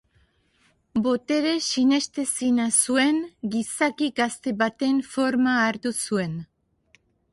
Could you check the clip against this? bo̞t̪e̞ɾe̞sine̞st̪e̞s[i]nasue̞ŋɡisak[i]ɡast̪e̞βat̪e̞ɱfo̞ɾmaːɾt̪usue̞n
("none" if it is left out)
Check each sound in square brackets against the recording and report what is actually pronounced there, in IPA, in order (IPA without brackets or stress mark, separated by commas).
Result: i, i